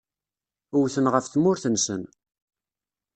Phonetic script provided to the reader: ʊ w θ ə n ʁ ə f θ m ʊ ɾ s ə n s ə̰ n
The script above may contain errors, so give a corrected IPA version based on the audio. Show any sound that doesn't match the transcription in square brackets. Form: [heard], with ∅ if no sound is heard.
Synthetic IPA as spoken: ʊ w θ ə n ʁ ə f θ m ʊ ɾ [θ] ə n s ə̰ n